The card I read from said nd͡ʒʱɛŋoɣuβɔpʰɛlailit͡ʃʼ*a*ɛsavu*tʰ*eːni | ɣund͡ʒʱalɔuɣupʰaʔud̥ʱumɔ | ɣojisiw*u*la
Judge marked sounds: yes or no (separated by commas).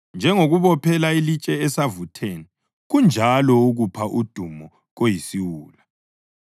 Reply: no, yes, no